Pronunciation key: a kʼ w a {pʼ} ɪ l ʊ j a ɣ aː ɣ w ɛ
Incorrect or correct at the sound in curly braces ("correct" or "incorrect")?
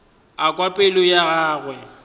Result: correct